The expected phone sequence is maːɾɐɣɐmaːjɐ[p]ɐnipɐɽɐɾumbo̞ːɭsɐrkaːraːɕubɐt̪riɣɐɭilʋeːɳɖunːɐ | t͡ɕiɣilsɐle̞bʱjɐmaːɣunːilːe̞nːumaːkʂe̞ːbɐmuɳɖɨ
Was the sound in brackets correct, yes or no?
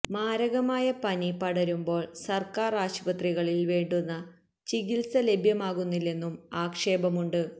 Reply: yes